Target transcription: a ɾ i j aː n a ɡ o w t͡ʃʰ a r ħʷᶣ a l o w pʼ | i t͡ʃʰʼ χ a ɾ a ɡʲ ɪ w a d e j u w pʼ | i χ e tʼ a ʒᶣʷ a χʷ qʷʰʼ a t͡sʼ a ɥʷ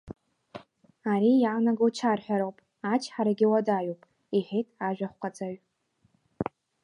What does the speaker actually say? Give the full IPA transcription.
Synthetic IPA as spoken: a ɾ i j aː n a ɡ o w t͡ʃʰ a r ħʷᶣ a ɾ o w pʼ | a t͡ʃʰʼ ħ a ɾ a ɡʲ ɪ w a d a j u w pʼ | i ħ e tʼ a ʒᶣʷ a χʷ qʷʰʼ a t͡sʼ a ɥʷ